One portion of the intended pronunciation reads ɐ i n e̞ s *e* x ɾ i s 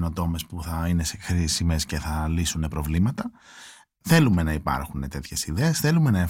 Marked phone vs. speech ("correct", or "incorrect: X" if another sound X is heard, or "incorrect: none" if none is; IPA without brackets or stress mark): correct